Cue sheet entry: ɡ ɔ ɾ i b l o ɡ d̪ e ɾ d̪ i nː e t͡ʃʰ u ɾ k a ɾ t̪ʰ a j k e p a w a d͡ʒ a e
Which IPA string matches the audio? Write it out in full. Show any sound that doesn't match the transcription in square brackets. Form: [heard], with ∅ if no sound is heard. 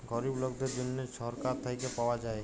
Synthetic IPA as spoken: ɡ ɔ ɾ i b l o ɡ d̪ e ɾ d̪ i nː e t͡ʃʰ [ɔ] ɾ k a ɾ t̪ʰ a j k e p a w a d͡ʒ a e